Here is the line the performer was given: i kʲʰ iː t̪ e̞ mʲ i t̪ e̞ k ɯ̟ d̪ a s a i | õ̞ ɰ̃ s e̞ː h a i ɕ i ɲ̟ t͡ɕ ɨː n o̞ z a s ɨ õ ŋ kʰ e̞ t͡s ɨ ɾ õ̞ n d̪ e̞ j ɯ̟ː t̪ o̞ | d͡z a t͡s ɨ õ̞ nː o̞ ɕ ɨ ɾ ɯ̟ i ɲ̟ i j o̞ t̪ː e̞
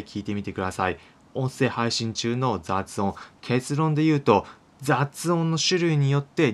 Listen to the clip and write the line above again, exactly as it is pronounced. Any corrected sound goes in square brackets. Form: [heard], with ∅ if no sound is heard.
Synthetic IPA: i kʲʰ iː t̪ e̞ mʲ i t̪ e̞ k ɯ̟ d̪ a s a i | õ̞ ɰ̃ s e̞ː h a i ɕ [ĩ] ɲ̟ t͡ɕ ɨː n o̞ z a [t͡s] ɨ õ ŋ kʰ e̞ t͡s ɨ ɾ õ̞ n d̪ e̞ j ɯ̟ː t̪ o̞ | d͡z a t͡s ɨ õ̞ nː o̞ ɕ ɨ ɾ ɯ̟ i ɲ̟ i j o̞ t̪ː e̞